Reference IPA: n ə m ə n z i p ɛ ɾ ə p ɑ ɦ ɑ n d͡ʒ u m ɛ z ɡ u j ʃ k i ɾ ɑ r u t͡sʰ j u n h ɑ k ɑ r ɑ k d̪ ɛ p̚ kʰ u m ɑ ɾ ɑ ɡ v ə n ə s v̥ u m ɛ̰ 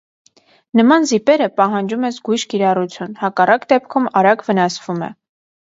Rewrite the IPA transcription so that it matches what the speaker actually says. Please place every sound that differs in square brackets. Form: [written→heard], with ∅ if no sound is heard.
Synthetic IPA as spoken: n ə m [ə→ɑ] n z i p ɛ ɾ ə p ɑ ɦ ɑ n d͡ʒ u m ɛ z ɡ u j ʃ k i ɾ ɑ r u t͡sʰ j u n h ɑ k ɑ r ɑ k d̪ ɛ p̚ kʰ u m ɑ ɾ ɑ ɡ v ə n [ə→ɑ] s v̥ u m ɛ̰